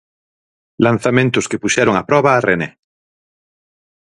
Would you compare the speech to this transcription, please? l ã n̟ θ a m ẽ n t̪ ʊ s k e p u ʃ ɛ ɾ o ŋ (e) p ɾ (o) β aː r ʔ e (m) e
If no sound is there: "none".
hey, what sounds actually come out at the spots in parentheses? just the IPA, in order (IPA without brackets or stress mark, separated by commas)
a, ɔ, n